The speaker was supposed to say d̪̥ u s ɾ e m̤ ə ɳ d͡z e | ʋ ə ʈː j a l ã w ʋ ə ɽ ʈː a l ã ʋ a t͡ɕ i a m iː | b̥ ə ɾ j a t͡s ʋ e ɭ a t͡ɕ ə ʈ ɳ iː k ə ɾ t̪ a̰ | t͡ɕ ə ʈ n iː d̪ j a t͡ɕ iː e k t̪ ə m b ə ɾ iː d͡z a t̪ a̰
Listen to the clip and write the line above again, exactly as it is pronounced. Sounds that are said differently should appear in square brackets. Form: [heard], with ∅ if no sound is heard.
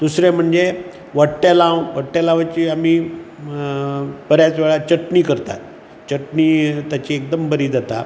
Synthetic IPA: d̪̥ u s ɾ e m̤ ə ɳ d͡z e | ʋ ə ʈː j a l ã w ʋ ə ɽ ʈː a l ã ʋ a t͡ɕ i a m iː | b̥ ə ɾ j a t͡s ʋ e ɭ a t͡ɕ ə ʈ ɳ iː k ə ɾ t̪ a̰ | t͡ɕ ə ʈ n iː [t̪] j a t͡ɕ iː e k [d̪] ə m b ə ɾ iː d͡z a t̪ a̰